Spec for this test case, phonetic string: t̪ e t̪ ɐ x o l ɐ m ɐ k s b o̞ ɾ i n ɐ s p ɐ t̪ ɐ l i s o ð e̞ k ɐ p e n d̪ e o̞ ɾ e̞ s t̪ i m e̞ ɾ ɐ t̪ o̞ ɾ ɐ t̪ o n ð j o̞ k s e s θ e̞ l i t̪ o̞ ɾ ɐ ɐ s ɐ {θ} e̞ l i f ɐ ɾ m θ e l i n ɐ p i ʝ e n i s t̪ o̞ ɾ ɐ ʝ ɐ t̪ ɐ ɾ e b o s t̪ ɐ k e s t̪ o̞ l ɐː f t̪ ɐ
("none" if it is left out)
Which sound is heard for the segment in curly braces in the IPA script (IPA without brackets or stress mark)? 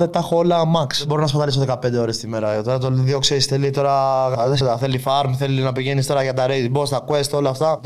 θ